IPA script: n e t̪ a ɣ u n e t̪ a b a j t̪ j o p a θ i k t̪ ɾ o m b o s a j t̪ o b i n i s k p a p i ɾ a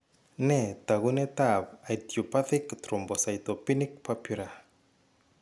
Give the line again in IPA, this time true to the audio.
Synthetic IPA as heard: n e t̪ a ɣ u n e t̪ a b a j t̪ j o p a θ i k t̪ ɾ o m b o s a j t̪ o p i n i k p a p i ɾ a